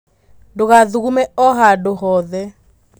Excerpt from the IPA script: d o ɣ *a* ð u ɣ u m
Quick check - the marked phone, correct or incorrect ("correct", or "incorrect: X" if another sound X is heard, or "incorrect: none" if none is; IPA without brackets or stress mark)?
correct